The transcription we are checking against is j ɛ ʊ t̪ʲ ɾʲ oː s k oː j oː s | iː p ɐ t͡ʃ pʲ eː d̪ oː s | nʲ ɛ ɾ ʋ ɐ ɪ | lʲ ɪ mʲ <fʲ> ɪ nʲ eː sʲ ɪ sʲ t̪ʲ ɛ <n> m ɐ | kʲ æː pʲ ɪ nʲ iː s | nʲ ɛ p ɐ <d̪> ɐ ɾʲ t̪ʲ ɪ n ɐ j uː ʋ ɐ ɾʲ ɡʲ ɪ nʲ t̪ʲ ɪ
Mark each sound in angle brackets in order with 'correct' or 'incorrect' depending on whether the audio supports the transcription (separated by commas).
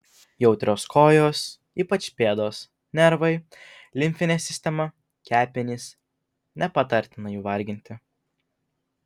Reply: correct, incorrect, incorrect